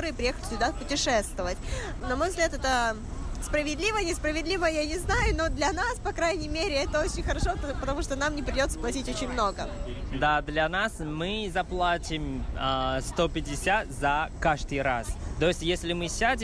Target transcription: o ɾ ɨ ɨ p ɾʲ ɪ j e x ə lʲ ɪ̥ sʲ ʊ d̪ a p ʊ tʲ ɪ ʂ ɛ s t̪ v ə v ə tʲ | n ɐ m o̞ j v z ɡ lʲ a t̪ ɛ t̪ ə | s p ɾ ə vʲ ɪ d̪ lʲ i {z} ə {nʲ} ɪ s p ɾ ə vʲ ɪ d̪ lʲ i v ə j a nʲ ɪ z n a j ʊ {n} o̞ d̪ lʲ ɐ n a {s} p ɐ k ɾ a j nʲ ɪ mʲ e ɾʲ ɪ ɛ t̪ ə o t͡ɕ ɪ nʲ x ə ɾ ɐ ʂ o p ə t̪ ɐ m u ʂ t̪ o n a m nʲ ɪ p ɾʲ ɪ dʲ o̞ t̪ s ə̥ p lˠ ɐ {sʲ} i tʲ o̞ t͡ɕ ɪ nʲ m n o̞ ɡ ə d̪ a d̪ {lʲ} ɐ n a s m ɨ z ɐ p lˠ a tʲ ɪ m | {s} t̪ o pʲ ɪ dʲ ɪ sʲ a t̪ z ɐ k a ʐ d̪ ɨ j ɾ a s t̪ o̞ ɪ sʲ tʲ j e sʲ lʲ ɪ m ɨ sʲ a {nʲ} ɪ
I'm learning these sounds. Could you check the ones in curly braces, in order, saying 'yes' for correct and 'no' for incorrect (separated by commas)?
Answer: no, yes, yes, yes, no, yes, yes, no